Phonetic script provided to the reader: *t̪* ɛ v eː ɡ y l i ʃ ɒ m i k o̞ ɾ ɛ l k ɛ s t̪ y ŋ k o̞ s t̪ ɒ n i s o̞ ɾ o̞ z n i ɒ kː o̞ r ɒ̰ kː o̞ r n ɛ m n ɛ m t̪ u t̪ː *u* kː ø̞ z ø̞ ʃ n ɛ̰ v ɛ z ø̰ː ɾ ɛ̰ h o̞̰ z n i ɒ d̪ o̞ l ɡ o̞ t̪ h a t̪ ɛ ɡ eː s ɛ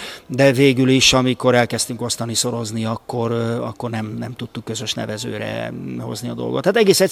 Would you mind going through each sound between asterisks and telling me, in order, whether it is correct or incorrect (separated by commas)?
incorrect, correct